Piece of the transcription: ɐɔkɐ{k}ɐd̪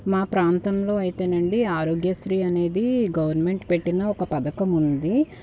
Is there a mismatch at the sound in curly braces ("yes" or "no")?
yes